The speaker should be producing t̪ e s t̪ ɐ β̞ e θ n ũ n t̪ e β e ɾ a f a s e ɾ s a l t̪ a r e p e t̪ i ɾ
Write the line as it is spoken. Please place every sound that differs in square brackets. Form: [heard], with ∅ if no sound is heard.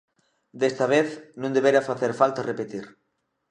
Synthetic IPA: [d̪] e s t̪ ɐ β̞ e θ n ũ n [d̪] e β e ɾ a f a [θ] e ɾ [f] a l t̪ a r e p e t̪ i ɾ